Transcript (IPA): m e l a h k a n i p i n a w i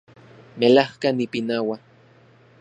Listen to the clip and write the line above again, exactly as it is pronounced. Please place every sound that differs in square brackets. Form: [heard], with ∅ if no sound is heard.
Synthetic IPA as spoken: m e l a h k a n i p i n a w [a]